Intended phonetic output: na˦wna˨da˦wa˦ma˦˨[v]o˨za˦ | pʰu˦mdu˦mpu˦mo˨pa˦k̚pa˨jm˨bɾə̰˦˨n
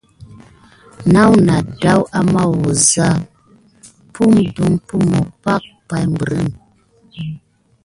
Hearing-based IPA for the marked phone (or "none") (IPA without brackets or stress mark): w